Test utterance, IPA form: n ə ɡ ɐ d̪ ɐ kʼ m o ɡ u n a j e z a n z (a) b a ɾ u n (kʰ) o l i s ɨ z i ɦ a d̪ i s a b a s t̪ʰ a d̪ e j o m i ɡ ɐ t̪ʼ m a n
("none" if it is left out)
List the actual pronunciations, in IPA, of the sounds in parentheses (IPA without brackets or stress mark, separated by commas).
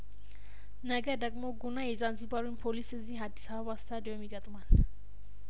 i, pʰ